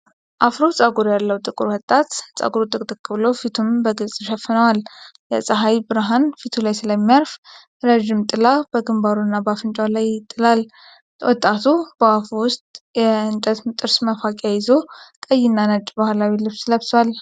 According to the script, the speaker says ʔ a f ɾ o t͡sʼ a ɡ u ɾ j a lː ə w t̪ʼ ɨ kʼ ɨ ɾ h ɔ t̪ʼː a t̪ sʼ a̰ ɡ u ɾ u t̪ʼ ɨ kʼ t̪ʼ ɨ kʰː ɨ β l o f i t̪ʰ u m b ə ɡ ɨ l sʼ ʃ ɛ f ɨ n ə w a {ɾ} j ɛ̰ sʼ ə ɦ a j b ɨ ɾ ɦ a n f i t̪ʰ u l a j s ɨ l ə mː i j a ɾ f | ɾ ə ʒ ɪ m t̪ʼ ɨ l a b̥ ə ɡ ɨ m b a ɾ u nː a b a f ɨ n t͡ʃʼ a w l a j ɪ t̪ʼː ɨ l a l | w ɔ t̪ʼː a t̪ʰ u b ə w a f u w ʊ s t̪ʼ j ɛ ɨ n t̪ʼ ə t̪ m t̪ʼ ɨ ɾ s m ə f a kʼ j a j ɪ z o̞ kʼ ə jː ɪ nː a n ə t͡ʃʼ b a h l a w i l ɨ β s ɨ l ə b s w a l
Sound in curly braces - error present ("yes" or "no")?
yes